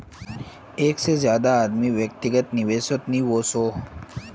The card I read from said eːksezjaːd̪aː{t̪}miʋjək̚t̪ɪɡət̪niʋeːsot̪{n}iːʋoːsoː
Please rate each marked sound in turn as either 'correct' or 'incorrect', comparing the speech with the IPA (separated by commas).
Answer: incorrect, correct